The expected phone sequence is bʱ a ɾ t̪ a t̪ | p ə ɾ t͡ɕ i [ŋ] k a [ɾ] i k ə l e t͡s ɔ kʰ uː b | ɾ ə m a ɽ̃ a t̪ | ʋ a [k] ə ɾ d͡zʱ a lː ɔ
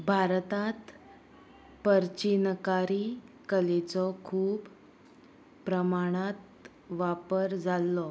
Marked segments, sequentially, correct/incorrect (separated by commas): incorrect, correct, incorrect